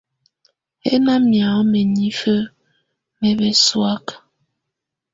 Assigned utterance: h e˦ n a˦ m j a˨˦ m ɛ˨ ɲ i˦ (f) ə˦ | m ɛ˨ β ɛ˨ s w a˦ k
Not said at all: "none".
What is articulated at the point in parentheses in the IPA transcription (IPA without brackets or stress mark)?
f